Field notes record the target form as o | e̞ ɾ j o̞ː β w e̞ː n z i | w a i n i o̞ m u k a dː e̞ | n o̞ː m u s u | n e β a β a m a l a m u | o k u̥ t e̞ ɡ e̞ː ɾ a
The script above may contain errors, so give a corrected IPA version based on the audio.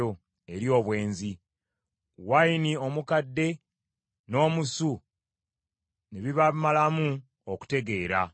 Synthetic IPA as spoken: o | e̞ ɾ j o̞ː β w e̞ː n z i | w a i n i o̞ m u k a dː e̞ | n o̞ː m u s u | n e β i β a m a l a m u | o k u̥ t e̞ ɡ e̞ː ɾ a